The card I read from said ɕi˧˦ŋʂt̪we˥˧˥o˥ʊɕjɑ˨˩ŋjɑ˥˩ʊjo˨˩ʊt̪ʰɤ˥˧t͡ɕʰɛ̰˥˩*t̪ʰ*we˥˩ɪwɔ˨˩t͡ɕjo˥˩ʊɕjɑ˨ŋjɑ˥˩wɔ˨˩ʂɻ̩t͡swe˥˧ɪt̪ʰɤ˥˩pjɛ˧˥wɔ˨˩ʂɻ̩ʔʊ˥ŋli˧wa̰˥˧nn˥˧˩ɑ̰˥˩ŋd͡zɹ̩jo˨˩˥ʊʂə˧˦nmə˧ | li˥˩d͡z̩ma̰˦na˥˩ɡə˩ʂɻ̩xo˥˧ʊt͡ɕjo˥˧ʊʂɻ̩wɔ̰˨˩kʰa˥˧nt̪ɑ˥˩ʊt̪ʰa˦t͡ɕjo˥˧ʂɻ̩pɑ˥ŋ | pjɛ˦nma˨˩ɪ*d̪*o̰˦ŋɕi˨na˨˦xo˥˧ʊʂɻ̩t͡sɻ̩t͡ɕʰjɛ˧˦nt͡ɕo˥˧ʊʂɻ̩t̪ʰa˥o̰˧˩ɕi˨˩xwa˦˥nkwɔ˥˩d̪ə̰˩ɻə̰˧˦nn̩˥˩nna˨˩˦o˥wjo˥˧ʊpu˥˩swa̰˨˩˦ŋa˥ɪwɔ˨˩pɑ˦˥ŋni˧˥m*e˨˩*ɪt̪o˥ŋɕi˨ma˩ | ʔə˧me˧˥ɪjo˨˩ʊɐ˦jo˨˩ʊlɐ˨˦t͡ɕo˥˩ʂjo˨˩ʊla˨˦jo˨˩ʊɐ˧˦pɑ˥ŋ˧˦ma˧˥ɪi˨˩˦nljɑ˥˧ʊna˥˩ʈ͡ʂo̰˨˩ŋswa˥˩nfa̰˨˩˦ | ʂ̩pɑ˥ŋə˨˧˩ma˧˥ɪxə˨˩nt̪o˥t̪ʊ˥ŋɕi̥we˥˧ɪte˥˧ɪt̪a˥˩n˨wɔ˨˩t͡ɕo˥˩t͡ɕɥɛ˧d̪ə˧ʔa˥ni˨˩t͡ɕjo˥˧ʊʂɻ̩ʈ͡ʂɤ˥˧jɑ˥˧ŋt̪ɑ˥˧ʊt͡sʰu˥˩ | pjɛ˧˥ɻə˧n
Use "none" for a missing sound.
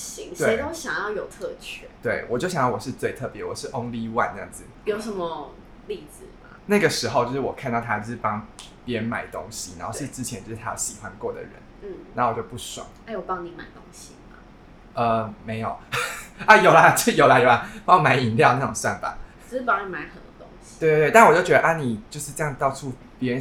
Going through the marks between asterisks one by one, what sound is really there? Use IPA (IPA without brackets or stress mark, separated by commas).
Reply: t̪, t̪, a˨˩